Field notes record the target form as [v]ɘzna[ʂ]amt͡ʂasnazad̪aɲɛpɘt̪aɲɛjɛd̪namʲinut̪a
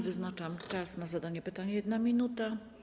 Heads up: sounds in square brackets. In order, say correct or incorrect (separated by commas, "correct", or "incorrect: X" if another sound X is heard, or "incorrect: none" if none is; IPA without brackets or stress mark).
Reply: correct, incorrect: t͡ʂ